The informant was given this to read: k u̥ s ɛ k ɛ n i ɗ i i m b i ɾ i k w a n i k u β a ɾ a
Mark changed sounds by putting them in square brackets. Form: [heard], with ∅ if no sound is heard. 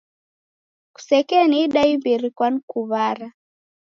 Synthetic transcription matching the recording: k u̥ s ɛ k ɛ n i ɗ [a] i m b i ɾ i k w a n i k u β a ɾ a

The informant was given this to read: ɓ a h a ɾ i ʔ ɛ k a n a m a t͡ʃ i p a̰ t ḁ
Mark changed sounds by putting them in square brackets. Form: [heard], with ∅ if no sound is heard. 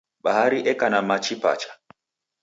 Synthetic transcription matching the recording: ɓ a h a ɾ i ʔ ɛ k a n a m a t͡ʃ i p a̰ [t͡ʃ] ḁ

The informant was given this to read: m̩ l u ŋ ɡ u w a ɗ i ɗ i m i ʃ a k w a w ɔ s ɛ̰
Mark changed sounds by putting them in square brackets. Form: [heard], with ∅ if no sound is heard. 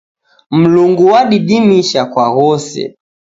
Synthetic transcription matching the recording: m̩ l u ŋ ɡ u w a ɗ i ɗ i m i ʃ a k w a [ɣ] ɔ s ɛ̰

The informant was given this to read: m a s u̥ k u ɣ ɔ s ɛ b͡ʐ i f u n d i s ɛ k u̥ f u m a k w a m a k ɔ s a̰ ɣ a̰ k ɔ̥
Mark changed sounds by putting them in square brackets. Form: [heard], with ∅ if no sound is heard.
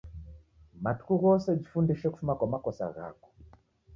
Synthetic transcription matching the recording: m a [t] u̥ k u ɣ ɔ s ɛ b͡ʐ i f u n d i [ʃ] ɛ k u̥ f u m a k w a m a k ɔ s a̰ ɣ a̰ k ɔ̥

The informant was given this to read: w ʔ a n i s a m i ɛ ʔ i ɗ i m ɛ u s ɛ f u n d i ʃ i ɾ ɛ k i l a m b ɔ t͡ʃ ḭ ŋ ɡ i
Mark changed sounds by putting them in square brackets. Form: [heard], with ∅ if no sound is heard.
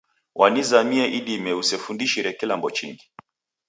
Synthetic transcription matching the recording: w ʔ a n i [z] a m i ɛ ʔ i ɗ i m ɛ u s ɛ f u n d i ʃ i ɾ ɛ k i l a m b ɔ t͡ʃ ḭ ŋ ɡ i

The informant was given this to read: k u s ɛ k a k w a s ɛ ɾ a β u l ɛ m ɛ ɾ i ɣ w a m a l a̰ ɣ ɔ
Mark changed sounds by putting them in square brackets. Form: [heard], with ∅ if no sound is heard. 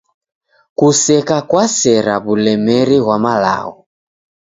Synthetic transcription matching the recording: k u s ɛ k a k w a s ɛ ɾ a β u l ɛ m ɛ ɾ i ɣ w a m a l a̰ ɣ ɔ

